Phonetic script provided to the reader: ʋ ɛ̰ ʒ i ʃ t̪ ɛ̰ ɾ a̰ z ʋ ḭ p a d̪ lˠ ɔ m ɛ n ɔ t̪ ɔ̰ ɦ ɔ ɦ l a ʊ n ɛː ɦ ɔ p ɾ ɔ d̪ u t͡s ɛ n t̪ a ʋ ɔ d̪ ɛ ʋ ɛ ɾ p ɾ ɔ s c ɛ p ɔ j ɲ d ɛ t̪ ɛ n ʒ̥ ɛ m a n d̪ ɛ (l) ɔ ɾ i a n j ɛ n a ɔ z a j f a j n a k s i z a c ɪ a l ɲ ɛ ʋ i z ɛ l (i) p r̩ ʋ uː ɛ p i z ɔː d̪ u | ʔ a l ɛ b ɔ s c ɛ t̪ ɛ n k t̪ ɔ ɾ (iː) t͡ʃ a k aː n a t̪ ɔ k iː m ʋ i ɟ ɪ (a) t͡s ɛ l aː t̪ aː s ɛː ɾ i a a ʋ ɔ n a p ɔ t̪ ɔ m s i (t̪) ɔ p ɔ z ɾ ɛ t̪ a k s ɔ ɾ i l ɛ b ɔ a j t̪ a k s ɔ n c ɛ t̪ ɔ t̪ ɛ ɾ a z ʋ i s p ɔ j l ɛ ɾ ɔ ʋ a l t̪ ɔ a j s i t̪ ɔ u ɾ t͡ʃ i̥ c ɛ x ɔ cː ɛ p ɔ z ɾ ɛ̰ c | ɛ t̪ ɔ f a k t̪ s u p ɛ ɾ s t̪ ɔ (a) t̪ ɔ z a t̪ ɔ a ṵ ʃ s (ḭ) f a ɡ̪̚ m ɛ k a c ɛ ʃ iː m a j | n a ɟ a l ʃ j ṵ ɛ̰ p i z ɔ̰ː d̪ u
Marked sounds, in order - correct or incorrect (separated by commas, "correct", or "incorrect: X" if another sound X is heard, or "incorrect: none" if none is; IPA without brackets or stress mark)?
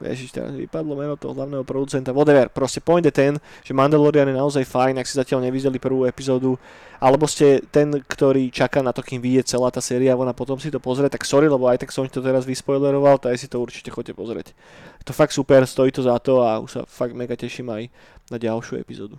correct, correct, correct, incorrect: ɛ, correct, incorrect: i, incorrect: a̰